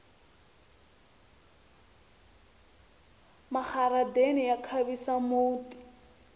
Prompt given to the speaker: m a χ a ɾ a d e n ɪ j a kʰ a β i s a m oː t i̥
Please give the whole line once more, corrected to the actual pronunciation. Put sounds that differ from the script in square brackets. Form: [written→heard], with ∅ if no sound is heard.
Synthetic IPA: m a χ a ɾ a d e n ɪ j a kʰ a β i s a m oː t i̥